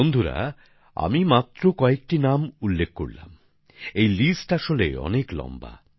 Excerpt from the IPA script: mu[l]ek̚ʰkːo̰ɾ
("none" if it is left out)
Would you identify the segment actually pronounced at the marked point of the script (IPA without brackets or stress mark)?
lː